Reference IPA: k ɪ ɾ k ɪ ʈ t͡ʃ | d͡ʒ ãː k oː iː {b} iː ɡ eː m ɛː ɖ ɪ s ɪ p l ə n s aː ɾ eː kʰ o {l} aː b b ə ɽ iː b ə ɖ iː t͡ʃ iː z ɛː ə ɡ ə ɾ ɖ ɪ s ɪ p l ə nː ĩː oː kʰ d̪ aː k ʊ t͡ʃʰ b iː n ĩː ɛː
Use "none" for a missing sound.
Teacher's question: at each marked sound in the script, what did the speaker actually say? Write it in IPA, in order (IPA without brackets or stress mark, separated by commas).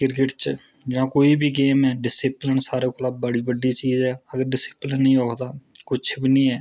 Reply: b, l